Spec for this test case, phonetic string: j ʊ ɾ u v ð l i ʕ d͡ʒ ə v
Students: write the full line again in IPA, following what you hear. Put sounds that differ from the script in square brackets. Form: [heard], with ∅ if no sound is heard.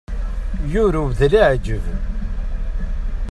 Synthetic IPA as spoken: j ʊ ɾ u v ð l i ʕ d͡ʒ ə v